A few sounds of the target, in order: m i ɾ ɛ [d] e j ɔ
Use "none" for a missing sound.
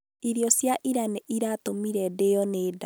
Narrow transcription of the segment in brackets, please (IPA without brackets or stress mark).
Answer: d